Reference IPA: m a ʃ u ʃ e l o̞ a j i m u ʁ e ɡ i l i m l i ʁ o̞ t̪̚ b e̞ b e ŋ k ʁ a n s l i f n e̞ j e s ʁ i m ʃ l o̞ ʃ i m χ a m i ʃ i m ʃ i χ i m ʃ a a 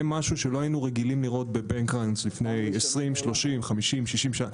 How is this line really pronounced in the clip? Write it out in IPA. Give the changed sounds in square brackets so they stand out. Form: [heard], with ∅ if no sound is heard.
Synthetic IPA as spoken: m a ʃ u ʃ e l o̞ a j i [n] u ʁ e ɡ i l i m l i ʁ o̞ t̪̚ b e̞ b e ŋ k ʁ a n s l i f n e̞ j e s ʁ i m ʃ l o̞ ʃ i m χ a m i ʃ i m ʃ i [ʃ] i m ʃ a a